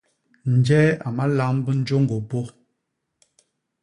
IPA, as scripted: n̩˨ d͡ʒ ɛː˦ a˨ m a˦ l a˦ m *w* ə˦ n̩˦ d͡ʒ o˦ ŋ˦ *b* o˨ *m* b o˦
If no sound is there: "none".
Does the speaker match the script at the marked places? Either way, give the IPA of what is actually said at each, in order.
b, ɡ, none

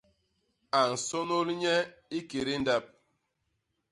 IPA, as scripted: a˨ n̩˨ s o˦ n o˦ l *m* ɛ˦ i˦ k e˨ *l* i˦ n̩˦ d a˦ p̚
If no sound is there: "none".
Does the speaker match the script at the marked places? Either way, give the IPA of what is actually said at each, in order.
ɲ, ɾ

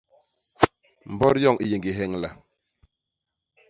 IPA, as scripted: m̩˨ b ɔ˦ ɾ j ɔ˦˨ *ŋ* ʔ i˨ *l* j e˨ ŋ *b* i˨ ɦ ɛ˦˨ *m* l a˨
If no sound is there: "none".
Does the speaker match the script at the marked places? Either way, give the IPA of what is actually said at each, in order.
ŋ, none, ɡ, ŋ

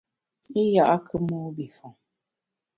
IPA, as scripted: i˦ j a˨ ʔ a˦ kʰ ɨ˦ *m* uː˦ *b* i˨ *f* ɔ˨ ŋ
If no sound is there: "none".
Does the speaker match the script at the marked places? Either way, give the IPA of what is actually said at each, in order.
m, b, f

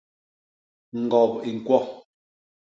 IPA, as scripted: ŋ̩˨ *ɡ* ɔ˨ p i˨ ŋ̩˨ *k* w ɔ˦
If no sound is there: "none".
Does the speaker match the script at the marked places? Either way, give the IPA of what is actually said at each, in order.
ɡ, k

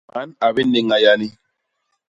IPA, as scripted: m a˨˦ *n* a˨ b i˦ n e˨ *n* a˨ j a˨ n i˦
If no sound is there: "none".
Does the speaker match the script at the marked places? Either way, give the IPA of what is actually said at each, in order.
n, ŋ

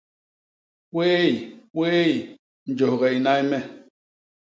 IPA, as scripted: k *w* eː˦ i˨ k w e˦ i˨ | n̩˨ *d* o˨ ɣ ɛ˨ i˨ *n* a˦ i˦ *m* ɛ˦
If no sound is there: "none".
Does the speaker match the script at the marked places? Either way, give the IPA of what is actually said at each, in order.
w, d͡ʒ, n, m

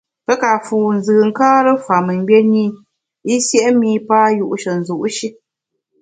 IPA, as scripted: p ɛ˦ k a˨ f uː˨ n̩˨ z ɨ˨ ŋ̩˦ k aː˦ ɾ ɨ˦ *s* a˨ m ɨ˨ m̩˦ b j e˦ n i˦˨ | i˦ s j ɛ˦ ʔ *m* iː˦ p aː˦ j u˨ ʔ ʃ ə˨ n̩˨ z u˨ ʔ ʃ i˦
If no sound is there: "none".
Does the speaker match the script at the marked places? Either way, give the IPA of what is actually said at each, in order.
f, m

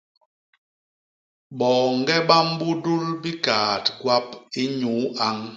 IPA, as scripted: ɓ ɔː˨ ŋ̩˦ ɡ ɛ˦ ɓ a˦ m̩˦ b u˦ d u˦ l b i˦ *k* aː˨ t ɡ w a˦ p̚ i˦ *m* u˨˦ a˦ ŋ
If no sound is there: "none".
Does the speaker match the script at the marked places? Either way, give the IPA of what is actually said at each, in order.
k, ɲ

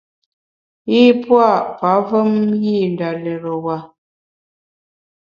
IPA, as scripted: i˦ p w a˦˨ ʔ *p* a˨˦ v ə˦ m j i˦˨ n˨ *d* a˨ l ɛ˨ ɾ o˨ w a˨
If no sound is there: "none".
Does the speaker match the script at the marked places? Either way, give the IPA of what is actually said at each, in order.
p, d

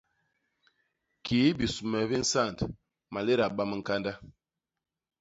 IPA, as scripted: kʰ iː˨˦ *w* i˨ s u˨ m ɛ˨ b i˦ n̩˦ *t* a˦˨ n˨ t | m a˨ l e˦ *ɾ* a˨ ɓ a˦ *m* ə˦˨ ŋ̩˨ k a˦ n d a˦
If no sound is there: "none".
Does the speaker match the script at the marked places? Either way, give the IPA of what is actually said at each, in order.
b, s, ɾ, m

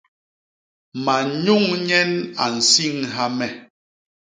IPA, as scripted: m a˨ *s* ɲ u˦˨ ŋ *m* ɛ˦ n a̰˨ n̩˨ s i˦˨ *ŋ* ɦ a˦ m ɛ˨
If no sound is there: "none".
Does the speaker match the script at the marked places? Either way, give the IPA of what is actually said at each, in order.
none, ɲ, ŋ

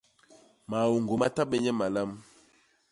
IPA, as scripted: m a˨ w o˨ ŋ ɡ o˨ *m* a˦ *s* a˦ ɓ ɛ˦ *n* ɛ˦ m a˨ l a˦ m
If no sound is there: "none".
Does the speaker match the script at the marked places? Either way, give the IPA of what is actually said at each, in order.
m, t, ɲ

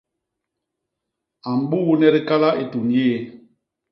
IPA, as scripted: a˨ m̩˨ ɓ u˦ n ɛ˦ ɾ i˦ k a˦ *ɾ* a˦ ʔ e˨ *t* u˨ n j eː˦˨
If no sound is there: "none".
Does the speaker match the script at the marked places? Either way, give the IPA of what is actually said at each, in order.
l, t

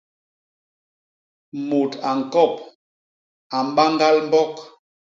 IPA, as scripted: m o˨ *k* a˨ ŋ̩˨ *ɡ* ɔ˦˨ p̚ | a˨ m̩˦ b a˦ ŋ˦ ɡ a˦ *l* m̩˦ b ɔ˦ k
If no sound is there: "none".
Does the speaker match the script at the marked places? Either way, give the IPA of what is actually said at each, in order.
t, k, l

